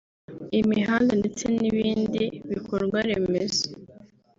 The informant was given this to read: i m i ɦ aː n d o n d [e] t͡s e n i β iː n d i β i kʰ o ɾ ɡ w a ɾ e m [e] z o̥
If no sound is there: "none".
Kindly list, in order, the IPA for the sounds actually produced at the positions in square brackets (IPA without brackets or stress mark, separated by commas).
e, e